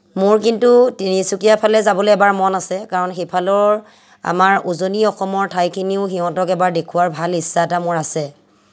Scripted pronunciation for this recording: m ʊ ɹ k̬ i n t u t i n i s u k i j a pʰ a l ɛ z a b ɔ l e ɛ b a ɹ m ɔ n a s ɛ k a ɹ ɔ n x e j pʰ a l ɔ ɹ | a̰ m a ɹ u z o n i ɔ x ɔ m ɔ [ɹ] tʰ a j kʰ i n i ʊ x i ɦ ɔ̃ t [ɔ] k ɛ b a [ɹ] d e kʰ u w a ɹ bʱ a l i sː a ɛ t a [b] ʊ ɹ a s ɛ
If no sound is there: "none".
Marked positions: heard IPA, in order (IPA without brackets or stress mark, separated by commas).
ɹ, ɔ, ɹ, m